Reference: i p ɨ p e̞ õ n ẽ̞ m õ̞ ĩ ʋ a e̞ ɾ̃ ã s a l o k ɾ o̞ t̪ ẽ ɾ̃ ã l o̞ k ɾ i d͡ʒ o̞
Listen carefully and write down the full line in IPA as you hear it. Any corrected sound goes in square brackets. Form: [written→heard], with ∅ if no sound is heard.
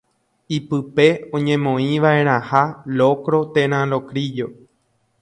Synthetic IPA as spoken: i p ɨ p e̞ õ [n→ɲ] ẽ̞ m õ̞ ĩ ʋ a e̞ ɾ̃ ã [s→h] a l o k ɾ o̞ t̪ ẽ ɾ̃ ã l o̞ k ɾ i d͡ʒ o̞